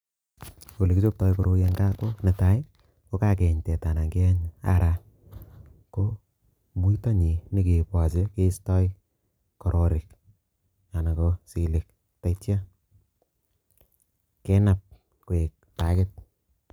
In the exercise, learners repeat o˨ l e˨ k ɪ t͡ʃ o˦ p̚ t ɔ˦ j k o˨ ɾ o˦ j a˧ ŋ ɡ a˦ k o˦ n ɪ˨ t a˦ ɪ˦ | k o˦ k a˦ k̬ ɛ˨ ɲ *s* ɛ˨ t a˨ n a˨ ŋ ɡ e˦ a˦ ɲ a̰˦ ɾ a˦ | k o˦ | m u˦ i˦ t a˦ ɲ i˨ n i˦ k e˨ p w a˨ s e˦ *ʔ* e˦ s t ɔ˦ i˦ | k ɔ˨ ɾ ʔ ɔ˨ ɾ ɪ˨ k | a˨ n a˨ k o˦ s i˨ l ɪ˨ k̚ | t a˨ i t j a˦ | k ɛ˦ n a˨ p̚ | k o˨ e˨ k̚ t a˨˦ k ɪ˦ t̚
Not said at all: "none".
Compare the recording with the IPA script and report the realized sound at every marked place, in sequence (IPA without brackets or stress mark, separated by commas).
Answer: t, k